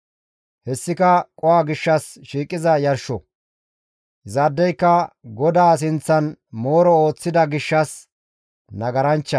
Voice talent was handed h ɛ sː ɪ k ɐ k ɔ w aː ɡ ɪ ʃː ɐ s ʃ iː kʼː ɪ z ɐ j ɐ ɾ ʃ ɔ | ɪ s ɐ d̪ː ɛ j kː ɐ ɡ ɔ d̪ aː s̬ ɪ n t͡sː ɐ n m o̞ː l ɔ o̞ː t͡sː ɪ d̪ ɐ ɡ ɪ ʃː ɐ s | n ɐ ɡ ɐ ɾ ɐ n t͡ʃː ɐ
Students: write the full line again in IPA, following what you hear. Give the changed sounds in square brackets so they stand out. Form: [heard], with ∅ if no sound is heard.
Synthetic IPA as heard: h ɛ sː ɪ k ɐ [kʼ] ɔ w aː ɡ ɪ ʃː ɐ s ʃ iː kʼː ɪ z ɐ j ɐ ɾ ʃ ɔ | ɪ [z] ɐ d̪ː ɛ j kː ɐ ɡ ɔ d̪ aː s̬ ɪ n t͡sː ɐ n m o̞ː [ɾ] ɔ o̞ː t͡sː ɪ d̪ ɐ ɡ ɪ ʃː ɐ s | n ɐ ɡ ɐ ɾ ɐ n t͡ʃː ɐ